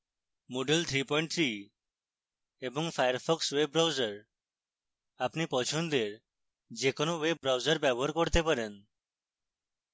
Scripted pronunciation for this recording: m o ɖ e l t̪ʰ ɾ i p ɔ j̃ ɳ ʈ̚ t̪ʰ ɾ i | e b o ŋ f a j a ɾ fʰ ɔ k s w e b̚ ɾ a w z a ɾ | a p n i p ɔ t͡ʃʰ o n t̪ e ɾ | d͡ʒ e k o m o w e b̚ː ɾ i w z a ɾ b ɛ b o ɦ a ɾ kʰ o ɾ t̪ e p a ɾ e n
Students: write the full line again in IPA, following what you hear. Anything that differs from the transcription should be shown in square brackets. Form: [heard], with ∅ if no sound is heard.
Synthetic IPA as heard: m o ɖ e l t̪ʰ ɾ i p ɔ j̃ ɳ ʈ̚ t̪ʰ ɾ i | e b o ŋ f a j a ɾ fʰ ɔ k s w e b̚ ɾ a w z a ɾ | a p n i p ɔ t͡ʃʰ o n [d̪] e ɾ | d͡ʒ e k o [n] o w e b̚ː ɾ [a] w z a ɾ b ɛ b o ɦ a ɾ [k] o ɾ t̪ e p a ɾ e n